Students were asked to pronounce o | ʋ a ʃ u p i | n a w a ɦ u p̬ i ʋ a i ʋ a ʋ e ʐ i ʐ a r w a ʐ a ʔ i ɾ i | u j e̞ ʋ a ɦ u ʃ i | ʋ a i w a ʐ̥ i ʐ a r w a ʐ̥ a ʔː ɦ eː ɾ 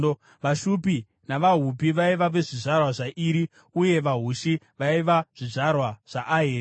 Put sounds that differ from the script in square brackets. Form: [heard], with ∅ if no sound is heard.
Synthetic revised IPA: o | ʋ a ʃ u p i | n a [ʋ] a ɦ u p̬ i ʋ a i ʋ a ʋ e ʐ i ʐ a r w a ʐ a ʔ i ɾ i | u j e̞ ʋ a ɦ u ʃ i | ʋ a i [ʋ] a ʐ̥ i ʐ a r w a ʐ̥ a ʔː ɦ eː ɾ